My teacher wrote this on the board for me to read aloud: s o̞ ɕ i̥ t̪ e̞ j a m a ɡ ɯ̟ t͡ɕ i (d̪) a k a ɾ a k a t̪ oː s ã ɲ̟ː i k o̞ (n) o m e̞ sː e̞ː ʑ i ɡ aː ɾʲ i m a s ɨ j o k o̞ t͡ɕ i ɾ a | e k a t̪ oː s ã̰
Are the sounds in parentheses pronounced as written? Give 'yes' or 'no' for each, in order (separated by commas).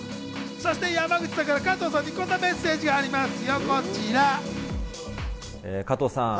yes, no